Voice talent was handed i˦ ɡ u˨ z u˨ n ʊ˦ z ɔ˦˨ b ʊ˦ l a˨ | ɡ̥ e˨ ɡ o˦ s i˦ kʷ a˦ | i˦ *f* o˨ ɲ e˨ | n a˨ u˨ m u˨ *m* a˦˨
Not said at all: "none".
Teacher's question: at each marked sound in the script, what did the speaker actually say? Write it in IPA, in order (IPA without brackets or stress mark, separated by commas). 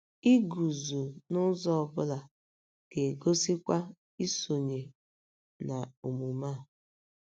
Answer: s, m